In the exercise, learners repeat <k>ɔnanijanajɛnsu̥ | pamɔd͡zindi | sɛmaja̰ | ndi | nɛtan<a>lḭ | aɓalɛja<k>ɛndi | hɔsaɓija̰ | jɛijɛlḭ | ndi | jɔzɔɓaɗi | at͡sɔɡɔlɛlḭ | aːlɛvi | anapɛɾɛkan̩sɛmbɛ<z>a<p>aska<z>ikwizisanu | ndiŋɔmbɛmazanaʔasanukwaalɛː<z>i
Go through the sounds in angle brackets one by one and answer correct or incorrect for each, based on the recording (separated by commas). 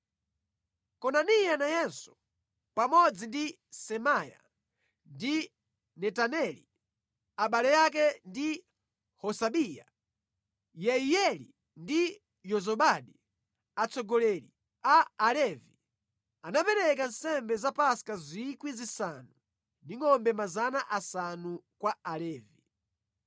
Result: correct, incorrect, correct, correct, correct, correct, incorrect